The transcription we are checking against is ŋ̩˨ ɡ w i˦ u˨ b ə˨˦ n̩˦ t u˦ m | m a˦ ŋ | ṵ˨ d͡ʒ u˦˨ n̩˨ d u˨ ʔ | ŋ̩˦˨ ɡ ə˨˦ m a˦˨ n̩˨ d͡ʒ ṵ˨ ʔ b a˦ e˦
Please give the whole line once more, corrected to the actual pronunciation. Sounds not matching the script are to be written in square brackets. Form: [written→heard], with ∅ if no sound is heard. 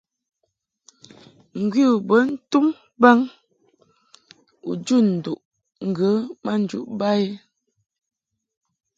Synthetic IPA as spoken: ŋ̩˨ ɡ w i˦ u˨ b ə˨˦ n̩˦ t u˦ m | [m→b] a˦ ŋ | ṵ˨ d͡ʒ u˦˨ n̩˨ d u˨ ʔ | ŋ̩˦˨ ɡ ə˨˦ m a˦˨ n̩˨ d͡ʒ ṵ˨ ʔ b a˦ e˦